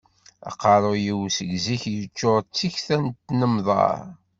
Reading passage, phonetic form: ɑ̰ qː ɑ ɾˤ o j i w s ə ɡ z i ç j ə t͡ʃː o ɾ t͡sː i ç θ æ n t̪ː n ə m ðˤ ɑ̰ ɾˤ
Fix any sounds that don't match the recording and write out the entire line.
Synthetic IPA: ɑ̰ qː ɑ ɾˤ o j i w s ə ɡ z i ç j ə t͡ʃː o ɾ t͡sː i ç θ æ n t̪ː n ə m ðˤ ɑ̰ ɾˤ